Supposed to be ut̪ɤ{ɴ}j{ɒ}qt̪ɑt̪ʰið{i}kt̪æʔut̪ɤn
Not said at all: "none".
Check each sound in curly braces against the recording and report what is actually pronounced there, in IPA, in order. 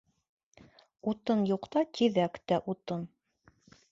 n, u, æ

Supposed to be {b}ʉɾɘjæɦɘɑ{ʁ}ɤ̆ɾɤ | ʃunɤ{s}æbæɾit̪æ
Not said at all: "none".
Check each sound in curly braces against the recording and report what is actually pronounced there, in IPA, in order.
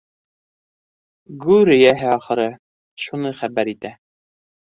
ɡ, χ, χ

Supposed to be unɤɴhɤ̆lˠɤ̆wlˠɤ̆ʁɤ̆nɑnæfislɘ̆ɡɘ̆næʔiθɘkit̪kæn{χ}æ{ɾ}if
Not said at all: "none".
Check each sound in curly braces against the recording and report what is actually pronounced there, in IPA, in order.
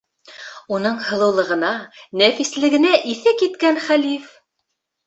χ, l

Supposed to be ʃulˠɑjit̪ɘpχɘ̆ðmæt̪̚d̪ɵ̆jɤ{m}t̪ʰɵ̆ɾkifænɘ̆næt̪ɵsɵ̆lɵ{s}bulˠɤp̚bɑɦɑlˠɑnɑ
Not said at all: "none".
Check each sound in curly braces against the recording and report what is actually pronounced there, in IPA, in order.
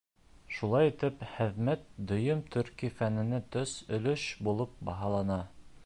m, ʃ

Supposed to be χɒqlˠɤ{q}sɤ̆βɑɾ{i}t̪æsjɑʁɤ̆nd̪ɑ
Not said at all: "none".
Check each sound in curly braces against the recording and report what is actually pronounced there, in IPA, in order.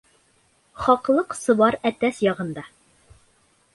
q, æ

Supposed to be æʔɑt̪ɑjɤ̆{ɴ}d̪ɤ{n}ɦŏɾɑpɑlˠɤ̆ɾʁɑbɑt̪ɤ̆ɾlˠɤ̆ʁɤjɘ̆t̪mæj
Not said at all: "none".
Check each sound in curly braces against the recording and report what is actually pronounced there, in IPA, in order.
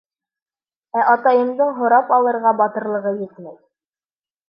m, ɴ

